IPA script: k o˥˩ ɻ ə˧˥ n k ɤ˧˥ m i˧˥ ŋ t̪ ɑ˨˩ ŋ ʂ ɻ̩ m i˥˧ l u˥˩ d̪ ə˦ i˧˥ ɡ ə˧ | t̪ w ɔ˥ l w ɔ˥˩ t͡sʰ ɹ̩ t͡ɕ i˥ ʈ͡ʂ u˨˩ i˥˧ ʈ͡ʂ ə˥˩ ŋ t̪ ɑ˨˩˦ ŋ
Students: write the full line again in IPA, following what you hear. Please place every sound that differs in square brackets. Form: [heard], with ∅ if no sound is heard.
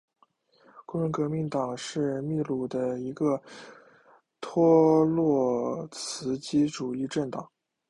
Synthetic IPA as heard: k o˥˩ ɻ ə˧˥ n k ɤ˧˥ m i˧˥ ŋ t̪ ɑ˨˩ ŋ ʂ ɻ̩ m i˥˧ l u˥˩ d̪ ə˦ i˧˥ ɡ ə˧ | [t̪ʰ] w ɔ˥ l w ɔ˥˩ t͡sʰ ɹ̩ t͡ɕ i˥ ʈ͡ʂ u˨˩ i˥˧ ʈ͡ʂ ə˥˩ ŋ t̪ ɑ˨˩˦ ŋ

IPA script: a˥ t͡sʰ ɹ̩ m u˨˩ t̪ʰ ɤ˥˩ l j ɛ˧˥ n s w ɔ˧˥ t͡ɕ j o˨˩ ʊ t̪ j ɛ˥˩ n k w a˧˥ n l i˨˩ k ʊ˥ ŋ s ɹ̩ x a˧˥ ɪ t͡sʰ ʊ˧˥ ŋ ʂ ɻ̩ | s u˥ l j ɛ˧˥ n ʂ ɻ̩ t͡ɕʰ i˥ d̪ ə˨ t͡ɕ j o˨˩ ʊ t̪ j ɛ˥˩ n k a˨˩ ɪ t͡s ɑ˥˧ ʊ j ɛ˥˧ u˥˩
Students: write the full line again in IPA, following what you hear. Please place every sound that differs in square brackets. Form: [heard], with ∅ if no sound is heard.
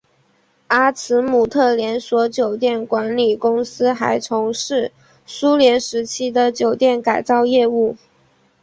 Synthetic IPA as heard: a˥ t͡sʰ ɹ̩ m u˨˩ t̪ʰ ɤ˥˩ l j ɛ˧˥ n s w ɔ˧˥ t͡ɕ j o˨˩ ʊ t̪ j ɛ˥˩ n k w a˧˥ n l i˨˩ k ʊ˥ ŋ s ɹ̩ x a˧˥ ɪ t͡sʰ ʊ˧˥ ŋ ʂ ɻ̩ | s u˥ l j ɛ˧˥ n ʂ ɻ̩ t͡ɕʰ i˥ d̪ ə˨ t͡ɕ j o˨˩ ʊ t̪ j ɛ˥˩ n k a˨˩ ɪ t͡s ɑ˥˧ ʊ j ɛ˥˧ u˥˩

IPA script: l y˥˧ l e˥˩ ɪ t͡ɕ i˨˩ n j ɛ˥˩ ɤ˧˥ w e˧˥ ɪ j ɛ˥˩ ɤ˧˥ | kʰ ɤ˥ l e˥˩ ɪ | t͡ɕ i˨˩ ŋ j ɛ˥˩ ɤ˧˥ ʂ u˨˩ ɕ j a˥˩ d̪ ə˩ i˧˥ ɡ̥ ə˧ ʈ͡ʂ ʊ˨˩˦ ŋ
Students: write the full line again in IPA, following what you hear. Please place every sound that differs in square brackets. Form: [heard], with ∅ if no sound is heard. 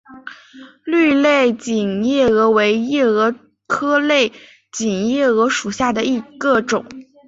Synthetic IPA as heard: l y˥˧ l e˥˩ ɪ t͡ɕ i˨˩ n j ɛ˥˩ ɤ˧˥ w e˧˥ ɪ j ɛ˥˩ ɤ˧˥ | kʰ ɤ˥ l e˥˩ ɪ | t͡ɕ i˨˩ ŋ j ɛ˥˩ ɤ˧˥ ʂ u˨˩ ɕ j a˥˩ d̪ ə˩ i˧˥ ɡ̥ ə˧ ʈ͡ʂ ʊ˨˩˦ ŋ

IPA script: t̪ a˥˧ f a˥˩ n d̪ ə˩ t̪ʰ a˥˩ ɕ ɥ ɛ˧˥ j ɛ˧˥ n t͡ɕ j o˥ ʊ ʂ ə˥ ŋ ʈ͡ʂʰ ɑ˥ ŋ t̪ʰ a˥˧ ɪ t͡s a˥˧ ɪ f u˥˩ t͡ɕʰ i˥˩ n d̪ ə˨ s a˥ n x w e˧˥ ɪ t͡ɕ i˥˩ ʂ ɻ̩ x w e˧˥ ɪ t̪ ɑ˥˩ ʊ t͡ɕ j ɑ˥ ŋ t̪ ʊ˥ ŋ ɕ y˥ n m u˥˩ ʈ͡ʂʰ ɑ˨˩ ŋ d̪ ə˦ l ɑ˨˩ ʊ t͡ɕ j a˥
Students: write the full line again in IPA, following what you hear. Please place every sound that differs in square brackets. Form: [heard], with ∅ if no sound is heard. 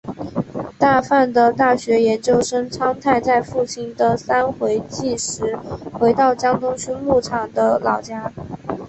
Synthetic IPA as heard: t̪ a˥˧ f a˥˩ n d̪ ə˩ [t̪] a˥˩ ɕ ɥ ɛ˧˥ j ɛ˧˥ n t͡ɕ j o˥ ʊ ʂ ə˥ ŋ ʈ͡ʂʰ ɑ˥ ŋ t̪ʰ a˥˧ ɪ t͡s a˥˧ ɪ f u˥˩ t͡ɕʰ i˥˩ n d̪ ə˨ s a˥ n x w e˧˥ ɪ t͡ɕ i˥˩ ʂ ɻ̩ x w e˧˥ ɪ t̪ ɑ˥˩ ʊ t͡ɕ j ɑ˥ ŋ t̪ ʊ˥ ŋ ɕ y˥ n m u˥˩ ʈ͡ʂʰ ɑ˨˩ ŋ d̪ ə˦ l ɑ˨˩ ʊ t͡ɕ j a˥

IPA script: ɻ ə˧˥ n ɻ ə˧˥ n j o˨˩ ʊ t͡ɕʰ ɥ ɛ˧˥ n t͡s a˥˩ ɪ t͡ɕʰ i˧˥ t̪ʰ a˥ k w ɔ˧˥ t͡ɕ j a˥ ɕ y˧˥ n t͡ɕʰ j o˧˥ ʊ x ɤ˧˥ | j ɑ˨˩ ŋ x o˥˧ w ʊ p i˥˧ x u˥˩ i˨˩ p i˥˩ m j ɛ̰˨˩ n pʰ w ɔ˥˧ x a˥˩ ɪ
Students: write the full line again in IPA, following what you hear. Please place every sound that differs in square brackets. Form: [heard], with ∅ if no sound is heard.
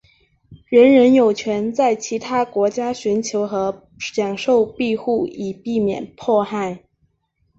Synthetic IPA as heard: ɻ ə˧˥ n ɻ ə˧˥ n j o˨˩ ʊ t͡ɕʰ ɥ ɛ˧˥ n t͡s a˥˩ ɪ t͡ɕʰ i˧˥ t̪ʰ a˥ k w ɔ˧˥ t͡ɕ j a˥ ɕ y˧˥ n t͡ɕʰ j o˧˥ ʊ x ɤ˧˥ | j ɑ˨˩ ŋ [ʂ] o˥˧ [∅] ʊ p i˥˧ x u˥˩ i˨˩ p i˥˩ m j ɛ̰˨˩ n pʰ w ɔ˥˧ x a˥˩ ɪ

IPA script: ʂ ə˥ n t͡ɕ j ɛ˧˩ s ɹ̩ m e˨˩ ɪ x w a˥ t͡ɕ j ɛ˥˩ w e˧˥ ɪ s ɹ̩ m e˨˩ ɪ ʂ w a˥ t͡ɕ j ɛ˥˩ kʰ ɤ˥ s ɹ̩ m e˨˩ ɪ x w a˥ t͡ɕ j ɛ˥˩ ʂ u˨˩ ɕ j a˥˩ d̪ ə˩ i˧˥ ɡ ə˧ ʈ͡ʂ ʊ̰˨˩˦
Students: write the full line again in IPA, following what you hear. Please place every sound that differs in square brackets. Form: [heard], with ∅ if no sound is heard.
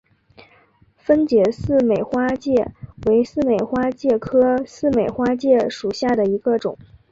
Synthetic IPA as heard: [f] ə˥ n t͡ɕ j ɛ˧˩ s ɹ̩ m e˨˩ ɪ x w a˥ t͡ɕ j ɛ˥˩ w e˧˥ ɪ s ɹ̩ m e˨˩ ɪ [x] w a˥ t͡ɕ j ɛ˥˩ kʰ ɤ˥ s ɹ̩ m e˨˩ ɪ x w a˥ t͡ɕ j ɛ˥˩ ʂ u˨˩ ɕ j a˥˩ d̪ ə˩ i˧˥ ɡ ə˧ ʈ͡ʂ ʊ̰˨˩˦

